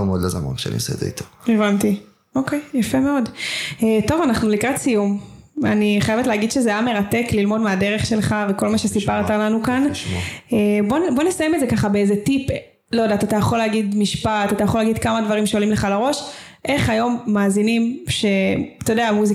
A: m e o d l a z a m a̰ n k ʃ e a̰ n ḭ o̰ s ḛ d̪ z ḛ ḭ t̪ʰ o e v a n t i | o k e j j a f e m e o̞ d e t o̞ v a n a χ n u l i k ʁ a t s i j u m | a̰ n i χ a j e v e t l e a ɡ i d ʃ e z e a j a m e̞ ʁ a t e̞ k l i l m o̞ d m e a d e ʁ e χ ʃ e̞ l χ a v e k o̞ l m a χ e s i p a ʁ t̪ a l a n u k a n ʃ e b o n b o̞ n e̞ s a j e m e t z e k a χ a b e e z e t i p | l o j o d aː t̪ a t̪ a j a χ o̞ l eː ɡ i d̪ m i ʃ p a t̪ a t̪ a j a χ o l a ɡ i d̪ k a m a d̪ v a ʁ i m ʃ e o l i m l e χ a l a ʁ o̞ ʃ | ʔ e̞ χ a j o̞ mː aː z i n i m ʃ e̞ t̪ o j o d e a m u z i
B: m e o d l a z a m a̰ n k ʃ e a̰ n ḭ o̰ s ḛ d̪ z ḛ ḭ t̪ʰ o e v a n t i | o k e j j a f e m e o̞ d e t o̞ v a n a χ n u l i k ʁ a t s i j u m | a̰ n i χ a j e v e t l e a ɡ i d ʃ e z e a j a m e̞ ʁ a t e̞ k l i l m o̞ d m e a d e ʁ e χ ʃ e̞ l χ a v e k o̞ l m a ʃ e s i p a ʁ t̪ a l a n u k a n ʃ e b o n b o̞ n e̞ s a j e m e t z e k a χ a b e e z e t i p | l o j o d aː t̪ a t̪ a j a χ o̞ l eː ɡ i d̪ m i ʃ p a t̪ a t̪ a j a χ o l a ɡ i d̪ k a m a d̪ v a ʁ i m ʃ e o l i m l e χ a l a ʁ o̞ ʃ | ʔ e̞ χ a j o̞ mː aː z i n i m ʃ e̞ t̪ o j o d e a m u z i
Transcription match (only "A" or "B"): B